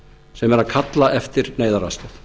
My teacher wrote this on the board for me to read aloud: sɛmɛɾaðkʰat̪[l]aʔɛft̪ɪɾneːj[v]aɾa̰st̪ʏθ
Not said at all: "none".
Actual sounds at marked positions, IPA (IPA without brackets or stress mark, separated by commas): l, ð